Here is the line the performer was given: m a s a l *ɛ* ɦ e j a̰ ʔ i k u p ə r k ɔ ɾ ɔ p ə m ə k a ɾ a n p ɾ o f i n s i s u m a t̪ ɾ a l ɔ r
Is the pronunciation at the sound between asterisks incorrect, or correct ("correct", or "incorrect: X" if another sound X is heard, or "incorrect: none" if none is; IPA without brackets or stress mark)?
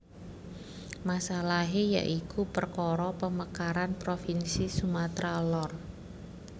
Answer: incorrect: a